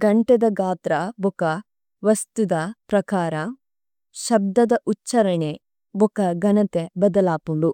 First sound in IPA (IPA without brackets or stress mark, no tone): ɡ